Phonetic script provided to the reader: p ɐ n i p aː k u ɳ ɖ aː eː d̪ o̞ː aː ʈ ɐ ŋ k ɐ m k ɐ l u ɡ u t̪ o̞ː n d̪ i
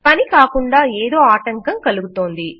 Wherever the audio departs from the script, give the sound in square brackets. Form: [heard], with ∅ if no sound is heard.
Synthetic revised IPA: p ɐ n i [k] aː k u ɳ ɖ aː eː d̪ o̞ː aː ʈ ɐ ŋ k ɐ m k ɐ l u ɡ u t̪ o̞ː n d̪ i